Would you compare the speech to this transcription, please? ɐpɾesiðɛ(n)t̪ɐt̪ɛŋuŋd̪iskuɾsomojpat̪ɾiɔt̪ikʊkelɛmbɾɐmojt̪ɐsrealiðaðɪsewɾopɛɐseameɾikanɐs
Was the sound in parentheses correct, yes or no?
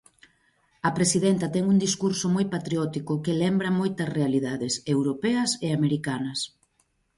yes